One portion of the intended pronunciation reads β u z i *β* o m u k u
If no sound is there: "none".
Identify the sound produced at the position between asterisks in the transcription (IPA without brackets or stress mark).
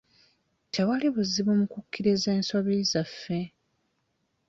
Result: β